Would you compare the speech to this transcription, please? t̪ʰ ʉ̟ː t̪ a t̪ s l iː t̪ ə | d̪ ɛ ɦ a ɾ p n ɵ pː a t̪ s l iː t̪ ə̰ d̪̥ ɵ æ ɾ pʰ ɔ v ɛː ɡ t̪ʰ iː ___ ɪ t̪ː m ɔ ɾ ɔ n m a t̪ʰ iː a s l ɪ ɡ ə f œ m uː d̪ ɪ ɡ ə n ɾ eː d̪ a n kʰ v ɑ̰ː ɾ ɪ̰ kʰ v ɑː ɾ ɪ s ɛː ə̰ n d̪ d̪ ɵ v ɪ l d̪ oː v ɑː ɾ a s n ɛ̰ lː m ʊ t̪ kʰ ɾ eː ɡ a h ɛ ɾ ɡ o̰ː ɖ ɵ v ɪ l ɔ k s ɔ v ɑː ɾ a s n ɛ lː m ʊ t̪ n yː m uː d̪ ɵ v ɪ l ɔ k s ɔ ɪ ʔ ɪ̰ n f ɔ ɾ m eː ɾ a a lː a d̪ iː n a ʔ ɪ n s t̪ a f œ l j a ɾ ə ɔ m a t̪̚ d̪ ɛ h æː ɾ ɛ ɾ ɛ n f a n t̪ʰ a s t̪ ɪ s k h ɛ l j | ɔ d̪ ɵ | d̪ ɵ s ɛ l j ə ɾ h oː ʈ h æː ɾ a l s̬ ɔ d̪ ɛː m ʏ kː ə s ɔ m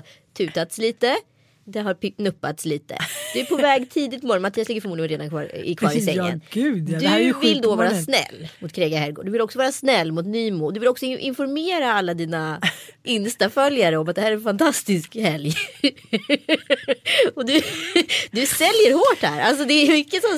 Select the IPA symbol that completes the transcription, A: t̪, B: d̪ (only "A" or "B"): B